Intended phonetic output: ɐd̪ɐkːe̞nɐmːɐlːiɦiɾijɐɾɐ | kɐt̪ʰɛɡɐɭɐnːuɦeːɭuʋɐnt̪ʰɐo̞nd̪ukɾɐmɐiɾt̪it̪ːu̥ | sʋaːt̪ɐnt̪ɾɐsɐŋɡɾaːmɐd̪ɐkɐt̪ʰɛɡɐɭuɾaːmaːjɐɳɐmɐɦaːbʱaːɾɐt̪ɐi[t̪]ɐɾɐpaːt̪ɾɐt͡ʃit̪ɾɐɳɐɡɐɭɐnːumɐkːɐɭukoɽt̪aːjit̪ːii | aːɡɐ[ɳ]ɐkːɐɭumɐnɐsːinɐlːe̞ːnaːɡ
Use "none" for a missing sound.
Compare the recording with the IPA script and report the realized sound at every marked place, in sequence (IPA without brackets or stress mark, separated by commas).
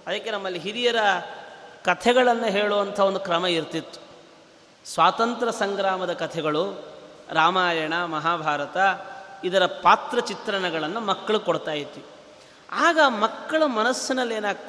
d̪, m